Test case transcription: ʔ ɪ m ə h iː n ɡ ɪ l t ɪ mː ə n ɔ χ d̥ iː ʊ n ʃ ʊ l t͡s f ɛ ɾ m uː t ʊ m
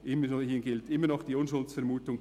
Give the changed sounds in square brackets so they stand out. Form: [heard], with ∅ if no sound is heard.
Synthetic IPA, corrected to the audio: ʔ ɪ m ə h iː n ɡ ɪ l t ɪ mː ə n ɔ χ d̥ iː ʊ n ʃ ʊ l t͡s f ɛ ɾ m uː t ʊ [ŋ]